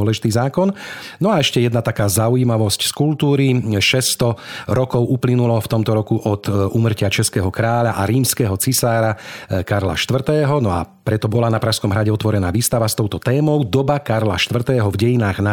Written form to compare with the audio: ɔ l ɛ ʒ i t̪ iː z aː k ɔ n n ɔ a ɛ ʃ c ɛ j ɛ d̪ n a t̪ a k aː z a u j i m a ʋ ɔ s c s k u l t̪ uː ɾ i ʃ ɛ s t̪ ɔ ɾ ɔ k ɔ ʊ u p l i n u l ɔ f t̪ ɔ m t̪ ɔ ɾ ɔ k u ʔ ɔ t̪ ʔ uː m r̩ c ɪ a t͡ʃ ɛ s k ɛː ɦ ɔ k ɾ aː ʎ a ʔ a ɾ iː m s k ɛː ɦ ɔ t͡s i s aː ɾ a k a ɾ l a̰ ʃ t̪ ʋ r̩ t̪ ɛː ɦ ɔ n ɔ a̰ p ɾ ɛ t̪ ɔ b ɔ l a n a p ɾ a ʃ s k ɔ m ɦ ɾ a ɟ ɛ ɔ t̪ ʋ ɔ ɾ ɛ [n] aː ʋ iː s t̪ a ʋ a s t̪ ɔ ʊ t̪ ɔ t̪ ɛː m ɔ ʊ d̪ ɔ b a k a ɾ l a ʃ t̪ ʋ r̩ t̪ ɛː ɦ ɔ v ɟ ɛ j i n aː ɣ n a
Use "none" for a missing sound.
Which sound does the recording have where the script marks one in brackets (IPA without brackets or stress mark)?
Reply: n